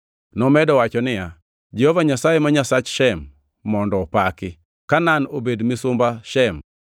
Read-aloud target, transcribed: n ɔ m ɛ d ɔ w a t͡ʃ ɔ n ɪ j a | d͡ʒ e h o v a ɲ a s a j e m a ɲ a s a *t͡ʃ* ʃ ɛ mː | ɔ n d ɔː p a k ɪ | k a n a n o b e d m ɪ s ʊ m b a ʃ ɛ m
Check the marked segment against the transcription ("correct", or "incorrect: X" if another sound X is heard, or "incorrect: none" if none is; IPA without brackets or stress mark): correct